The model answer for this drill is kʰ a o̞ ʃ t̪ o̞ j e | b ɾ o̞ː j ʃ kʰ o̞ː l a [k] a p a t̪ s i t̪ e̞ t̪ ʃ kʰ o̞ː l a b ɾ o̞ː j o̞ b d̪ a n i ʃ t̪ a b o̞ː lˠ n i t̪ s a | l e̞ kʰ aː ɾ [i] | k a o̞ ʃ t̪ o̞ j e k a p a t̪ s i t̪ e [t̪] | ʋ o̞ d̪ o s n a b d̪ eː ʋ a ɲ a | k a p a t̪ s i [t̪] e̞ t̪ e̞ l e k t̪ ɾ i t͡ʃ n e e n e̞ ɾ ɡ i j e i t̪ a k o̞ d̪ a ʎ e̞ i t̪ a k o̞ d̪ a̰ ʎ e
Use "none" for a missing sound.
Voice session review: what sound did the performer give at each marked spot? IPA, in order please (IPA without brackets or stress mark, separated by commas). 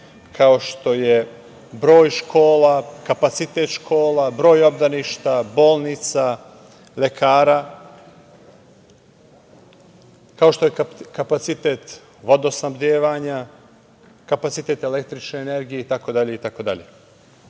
k, a, t̪, t̪